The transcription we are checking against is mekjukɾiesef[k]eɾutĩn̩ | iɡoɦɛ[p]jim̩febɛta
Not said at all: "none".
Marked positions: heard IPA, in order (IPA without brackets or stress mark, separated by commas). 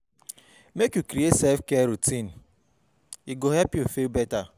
k, p